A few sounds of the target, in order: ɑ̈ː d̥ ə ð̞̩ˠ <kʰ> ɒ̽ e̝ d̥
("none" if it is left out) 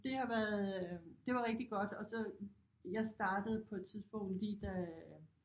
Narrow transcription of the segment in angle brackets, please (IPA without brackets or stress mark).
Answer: pʰ